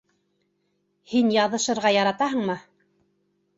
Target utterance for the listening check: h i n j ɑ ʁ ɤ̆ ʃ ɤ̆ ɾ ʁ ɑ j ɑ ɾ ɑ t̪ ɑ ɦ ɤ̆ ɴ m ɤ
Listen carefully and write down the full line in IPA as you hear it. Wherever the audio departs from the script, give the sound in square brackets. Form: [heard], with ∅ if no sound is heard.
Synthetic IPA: h i n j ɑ [ð] ɤ̆ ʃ ɤ̆ ɾ ʁ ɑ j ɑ ɾ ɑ t̪ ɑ ɦ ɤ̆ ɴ m ɤ